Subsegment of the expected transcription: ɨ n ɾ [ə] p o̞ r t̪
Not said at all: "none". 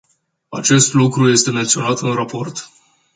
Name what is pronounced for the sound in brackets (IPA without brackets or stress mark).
a